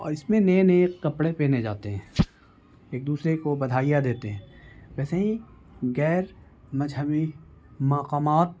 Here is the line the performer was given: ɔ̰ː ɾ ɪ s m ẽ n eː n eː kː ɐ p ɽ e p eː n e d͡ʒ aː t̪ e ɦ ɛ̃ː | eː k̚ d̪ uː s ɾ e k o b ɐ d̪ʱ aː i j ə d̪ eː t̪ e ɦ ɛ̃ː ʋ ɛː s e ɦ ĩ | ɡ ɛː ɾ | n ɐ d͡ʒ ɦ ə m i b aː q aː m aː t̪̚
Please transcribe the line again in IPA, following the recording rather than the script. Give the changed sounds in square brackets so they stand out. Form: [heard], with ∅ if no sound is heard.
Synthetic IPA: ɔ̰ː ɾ ɪ s m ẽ n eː n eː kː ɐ p ɽ e p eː n e d͡ʒ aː t̪ e ɦ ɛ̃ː | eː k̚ d̪ uː s ɾ e k o b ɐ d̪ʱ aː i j [a] d̪ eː t̪ e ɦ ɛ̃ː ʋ ɛː s e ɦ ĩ | ɡ ɛː ɾ | [m] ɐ d͡ʒ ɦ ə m i [m] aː q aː m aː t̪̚